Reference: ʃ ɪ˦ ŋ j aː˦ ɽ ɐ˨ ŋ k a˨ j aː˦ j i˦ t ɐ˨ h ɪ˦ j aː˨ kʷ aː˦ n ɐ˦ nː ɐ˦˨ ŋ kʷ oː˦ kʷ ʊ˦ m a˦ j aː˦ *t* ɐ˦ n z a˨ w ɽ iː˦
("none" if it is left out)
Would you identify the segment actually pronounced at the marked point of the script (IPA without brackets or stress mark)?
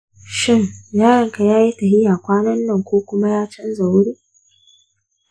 t͡ʃ